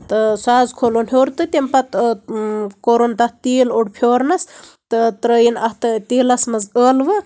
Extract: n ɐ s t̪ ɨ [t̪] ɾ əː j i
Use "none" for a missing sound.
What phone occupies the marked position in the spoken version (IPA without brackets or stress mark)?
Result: t̪